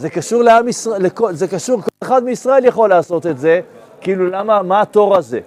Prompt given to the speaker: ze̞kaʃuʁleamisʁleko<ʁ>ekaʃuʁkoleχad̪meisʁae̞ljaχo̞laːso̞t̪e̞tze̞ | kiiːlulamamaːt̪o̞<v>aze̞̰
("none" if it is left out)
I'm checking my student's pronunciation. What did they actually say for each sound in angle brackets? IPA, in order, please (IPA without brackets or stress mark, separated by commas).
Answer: z, ʁ